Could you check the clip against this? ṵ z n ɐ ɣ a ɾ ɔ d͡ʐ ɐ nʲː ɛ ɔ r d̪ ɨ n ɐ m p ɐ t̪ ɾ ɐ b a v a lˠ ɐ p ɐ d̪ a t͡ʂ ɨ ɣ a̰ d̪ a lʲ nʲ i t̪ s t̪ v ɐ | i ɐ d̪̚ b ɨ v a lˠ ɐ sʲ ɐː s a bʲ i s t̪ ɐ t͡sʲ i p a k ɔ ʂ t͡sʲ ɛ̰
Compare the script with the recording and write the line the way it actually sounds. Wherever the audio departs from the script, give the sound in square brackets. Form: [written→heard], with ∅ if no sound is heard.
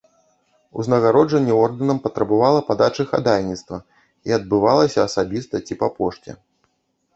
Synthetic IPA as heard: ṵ z n ɐ ɣ a ɾ ɔ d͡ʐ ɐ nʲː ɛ ɔ r d̪ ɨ n ɐ m p ɐ t̪ ɾ ɐ b a v a lˠ ɐ p [ɐ→a] d̪ a t͡ʂ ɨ [ɣ→x] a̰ d̪ a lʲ nʲ i t̪ s t̪ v ɐ | i ɐ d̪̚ b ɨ v a lˠ ɐ sʲ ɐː s a bʲ i s t̪ ɐ t͡sʲ i p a [k→p] ɔ ʂ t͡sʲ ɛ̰